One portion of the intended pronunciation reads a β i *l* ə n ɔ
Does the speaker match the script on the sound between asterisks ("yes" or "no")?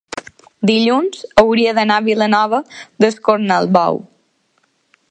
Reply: yes